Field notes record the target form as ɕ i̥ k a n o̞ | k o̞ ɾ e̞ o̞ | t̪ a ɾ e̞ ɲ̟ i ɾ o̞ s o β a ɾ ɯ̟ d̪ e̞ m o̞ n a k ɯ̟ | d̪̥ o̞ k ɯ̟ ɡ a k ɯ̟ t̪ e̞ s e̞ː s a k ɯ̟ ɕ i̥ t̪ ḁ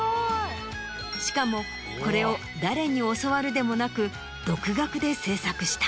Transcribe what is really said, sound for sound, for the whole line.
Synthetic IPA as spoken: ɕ i̥ k a m o̞ | k o̞ ɾ e̞ o̞ | d̪ a ɾ e̞ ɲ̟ i o̞ s o β a ɾ ɯ̟ d̪ e̞ m o̞ n a k ɯ̟ | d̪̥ o̞ k ɯ̟ ɡ a k ɯ̟ d̪ e̞ s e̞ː s a k ɯ̟ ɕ i̥ t̪ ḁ